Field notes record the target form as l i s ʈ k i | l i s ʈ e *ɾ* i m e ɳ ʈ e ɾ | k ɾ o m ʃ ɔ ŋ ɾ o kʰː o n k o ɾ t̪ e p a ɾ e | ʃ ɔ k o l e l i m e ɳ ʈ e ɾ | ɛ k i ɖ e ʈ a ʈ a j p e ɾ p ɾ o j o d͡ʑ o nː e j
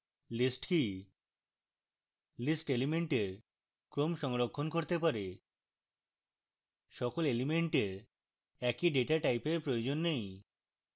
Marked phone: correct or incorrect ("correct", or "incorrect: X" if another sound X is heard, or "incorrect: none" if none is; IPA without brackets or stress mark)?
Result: incorrect: l